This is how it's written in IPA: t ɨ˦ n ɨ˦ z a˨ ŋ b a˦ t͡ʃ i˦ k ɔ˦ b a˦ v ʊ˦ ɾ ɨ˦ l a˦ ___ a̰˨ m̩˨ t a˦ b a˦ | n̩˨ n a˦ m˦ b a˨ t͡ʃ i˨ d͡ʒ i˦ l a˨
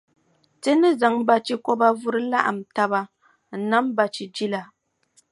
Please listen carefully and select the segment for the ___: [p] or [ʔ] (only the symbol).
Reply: ʔ